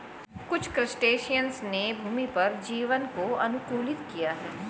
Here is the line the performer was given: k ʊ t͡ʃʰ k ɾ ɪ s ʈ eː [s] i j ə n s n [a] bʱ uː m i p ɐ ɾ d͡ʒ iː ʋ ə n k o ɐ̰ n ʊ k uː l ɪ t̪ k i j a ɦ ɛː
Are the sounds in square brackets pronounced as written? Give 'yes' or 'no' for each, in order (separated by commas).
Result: no, no